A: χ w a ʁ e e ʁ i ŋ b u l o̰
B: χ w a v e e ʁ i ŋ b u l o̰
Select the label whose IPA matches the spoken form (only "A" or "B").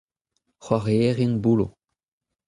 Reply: A